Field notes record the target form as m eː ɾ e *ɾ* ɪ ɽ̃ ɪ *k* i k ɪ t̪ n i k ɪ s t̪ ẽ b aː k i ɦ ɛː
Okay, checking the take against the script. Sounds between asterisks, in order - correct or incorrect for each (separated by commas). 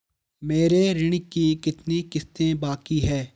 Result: correct, correct